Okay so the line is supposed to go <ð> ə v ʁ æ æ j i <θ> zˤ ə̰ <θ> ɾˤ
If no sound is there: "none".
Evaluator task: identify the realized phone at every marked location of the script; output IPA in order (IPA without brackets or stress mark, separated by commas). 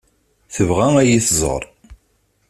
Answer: θ, θ, none